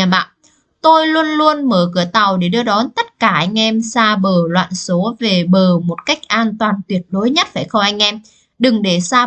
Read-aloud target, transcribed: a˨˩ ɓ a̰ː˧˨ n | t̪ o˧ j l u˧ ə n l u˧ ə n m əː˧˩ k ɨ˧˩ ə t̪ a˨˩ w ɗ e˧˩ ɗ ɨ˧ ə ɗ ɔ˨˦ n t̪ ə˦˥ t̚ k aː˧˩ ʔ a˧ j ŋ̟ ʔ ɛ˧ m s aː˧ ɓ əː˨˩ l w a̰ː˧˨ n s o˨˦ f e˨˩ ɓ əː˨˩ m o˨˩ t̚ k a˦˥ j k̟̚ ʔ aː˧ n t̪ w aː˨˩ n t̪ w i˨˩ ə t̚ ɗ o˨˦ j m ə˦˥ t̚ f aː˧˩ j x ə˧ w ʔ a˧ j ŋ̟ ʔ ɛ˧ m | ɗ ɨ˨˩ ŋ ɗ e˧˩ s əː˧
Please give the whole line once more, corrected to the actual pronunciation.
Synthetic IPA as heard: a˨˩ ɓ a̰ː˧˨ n | t̪ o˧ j l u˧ ə n l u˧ ə n m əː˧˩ k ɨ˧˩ ə t̪ a˨˩ w ɗ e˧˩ ɗ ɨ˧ ə ɗ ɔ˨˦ n t̪ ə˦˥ t̚ k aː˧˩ ʔ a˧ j ŋ̟ ʔ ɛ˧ m s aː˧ ɓ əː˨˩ l w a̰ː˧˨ n s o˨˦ v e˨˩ ɓ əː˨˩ m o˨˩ t̚ k a˦˥ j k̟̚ ʔ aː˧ n t̪ w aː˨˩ n t̪ w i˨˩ ə t̚ ɗ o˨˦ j ɲ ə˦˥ t̚ f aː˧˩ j x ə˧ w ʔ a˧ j ŋ̟ ʔ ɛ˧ m | ɗ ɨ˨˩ ŋ ɗ e˧˩ s aː˧